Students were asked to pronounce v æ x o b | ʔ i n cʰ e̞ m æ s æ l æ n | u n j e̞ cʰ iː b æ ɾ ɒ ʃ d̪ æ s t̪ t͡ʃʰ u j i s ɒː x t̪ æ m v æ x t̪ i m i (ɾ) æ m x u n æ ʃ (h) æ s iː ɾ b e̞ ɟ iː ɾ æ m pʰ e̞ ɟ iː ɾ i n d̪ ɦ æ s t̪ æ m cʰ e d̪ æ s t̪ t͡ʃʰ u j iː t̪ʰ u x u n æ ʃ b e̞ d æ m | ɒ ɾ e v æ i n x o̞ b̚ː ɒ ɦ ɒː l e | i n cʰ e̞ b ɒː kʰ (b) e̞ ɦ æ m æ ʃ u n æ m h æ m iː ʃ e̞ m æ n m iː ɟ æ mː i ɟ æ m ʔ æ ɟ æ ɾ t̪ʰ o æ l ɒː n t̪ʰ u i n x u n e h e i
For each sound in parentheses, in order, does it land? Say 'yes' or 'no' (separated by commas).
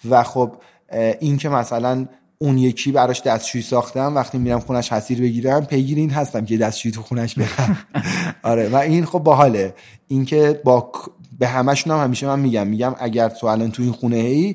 yes, yes, yes